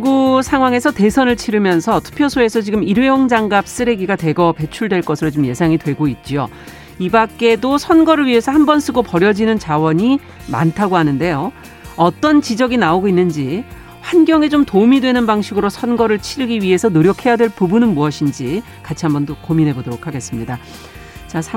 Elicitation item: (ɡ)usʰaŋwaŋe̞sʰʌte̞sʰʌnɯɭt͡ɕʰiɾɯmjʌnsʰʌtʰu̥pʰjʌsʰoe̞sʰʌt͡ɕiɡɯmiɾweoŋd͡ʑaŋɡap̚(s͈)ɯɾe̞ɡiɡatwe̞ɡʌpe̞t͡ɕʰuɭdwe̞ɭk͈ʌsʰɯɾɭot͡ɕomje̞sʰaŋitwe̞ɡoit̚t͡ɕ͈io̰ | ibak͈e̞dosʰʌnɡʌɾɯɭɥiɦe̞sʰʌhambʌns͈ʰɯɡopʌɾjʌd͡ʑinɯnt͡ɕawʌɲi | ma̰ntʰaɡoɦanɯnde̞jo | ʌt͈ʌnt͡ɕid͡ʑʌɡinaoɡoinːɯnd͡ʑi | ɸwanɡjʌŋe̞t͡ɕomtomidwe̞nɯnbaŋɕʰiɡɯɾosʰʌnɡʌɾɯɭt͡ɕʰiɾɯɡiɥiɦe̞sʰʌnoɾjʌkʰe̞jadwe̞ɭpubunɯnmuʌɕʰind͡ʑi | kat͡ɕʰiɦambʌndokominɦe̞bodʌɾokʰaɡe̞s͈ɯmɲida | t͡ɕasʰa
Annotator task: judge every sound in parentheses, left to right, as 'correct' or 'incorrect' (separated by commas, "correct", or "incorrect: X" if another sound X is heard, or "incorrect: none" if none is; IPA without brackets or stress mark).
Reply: correct, correct